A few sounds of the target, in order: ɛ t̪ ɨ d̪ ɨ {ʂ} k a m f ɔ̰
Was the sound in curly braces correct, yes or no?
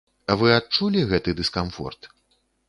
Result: no